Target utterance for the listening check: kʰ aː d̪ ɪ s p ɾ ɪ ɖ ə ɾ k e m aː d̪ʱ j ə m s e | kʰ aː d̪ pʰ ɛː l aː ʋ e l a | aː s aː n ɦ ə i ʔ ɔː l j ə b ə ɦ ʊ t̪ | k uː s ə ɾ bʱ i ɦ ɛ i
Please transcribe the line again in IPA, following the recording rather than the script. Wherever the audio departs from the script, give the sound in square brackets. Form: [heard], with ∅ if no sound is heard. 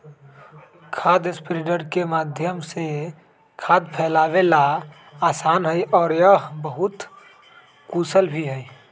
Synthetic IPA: kʰ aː d̪ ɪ s p ɾ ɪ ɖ ə ɾ k e m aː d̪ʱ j ə m s e | kʰ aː d̪ pʰ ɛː l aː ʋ e l a | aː s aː n ɦ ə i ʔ ɔː [ɾ] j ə b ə ɦ ʊ t̪ | k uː s ə [l] bʱ i ɦ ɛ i